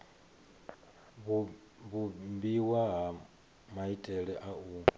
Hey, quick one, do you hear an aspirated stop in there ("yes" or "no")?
no